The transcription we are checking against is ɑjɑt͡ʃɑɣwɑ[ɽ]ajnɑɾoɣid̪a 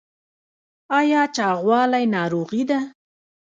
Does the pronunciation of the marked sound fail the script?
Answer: yes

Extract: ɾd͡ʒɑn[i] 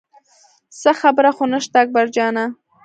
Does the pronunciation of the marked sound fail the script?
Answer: yes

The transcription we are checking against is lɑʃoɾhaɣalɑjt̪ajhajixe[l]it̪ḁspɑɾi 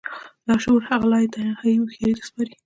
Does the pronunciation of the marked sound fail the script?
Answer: yes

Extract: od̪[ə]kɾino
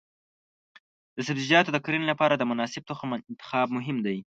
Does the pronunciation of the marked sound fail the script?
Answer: no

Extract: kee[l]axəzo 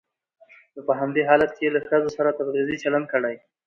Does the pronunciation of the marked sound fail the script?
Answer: no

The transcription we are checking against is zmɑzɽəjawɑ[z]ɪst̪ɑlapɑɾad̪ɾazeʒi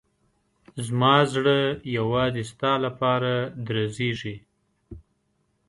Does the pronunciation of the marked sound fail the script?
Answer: no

